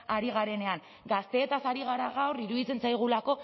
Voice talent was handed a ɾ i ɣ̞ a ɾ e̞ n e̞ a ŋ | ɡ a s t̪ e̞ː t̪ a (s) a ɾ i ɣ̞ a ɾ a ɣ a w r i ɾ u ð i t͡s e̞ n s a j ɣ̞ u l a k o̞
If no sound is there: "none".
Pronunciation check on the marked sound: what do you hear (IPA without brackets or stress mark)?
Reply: s